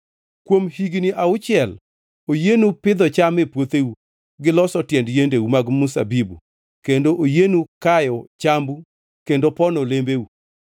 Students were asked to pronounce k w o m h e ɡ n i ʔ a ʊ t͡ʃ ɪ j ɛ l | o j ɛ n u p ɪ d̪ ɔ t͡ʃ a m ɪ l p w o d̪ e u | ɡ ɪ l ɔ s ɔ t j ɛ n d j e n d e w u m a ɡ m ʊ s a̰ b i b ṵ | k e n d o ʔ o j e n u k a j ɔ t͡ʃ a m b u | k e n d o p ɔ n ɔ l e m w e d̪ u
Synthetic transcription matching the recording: k w o m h i ɡ n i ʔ a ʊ t͡ʃ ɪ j ɛ l | o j e n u p ɪ d̪ ɔ t͡ʃ a m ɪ p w o t̪ e u | ɡ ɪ l ɔ s ɔ t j ɛ n d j e n d e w u m a ɡ m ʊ s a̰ b i b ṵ | k e n d o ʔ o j e n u k a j ɔ t͡ʃ a m b u | k e n d o p ɔ n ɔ l e m b e u